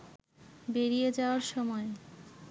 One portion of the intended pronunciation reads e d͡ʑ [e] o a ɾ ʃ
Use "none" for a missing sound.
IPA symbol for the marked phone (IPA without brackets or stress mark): a